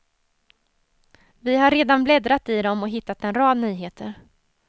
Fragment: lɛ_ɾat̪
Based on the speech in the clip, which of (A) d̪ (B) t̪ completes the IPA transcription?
A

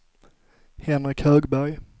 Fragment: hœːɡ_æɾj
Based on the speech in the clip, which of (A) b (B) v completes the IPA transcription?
A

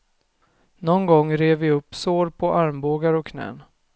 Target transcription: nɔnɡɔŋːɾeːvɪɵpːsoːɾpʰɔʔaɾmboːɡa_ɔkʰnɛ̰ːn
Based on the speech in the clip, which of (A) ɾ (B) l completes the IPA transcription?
A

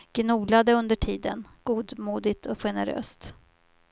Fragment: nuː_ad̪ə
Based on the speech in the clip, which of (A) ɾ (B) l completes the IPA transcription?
B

